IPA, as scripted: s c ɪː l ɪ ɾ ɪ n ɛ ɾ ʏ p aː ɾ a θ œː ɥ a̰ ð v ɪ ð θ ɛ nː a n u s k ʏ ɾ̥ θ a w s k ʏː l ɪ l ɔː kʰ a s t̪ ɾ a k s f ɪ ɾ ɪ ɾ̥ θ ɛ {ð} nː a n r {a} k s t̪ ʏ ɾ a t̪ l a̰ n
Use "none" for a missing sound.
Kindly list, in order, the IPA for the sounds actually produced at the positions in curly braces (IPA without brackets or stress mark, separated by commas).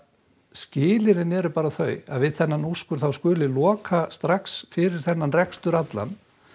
none, ɛ